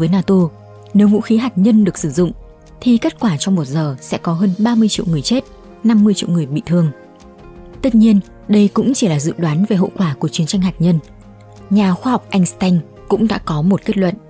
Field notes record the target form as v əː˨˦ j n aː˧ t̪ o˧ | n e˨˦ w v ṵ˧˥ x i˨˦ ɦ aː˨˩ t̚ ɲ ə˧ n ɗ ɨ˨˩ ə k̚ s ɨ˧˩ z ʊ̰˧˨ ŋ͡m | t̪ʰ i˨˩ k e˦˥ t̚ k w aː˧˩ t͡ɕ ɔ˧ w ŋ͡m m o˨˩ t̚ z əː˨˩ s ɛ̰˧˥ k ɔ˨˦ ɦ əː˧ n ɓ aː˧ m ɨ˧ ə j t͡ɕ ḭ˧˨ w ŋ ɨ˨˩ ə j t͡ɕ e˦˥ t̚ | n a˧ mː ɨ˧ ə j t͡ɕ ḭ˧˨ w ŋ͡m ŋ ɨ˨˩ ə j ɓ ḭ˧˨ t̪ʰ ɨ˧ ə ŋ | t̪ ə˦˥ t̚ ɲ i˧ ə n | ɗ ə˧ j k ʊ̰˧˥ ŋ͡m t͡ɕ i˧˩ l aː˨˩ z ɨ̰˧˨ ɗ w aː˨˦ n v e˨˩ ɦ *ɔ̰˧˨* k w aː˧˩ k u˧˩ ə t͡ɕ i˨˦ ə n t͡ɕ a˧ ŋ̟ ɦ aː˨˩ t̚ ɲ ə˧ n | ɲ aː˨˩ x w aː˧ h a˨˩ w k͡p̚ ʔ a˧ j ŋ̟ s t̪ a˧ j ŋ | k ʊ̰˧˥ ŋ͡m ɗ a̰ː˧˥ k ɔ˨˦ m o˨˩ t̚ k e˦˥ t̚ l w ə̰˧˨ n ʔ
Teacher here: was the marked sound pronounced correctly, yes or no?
no